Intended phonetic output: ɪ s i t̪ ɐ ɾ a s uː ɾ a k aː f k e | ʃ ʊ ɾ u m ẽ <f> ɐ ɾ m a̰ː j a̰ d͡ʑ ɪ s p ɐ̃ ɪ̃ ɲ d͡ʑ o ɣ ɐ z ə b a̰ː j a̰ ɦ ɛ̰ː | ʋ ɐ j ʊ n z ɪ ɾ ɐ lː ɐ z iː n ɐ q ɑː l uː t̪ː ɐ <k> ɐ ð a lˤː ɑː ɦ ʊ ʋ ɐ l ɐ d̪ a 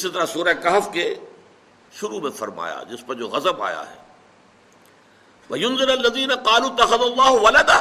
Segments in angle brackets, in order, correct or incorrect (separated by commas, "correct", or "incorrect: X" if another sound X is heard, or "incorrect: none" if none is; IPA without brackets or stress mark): correct, incorrect: x